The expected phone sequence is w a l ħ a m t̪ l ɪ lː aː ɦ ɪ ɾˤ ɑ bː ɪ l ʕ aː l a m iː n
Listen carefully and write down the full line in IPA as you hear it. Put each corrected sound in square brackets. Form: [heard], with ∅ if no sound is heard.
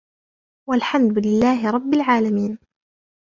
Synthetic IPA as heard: w a l ħ a m [d̪] l ɪ lː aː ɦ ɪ ɾˤ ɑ bː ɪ l ʕ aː l a m iː n

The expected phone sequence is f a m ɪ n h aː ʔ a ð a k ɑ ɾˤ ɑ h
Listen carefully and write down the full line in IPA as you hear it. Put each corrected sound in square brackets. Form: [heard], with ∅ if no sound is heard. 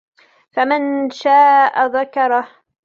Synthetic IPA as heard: f a m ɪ n [ʃ] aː ʔ a ð a k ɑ ɾˤ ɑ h

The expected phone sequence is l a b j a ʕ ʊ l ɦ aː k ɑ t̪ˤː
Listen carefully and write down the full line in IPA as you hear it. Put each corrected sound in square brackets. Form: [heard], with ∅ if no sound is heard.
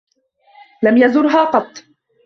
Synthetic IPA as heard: l a [m] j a [z] ʊ [ɾ] ɦ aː [q] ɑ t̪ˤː

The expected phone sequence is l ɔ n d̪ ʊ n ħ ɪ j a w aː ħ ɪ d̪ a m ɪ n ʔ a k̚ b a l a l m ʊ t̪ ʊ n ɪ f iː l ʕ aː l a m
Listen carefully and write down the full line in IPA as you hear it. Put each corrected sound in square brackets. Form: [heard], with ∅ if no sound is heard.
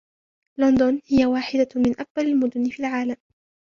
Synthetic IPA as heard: l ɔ n d̪ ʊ n [h] ɪ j a w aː ħ ɪ d̪ a m ɪ n ʔ a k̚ b a l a l m ʊ [d̪] ʊ n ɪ f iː l ʕ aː l a m

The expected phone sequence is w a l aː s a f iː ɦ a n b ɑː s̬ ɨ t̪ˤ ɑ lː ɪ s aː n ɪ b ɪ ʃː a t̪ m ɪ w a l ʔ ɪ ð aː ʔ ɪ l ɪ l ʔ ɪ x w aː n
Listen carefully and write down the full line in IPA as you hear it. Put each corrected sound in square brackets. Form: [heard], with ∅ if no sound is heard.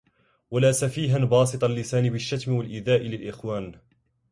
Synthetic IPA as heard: w a l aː s a f iː ɦ a n b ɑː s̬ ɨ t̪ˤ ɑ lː ɪ s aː n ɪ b ɪ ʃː a t̪ m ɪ w a l ʔ ɪ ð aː ʔ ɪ l ɪ l ʔ ɪ x w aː n

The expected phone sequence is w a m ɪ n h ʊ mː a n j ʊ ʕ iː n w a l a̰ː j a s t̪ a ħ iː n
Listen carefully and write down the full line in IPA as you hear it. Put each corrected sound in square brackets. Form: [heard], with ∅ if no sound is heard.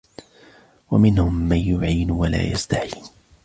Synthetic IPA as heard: w a m ɪ n h ʊ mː a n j ʊ ʕ iː n w a l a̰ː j a s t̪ a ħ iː n

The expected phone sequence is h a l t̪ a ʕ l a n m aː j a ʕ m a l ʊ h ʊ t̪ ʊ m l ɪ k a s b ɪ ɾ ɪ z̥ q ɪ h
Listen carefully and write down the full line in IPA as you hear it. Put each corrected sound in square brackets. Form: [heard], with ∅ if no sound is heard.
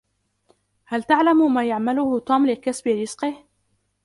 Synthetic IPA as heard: h a l t̪ a ʕ l a [m] m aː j a ʕ m a l ʊ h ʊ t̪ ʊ m l ɪ k a s b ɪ ɾ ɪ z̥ q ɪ h

